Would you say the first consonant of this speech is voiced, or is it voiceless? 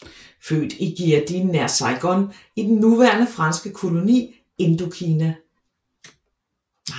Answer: voiceless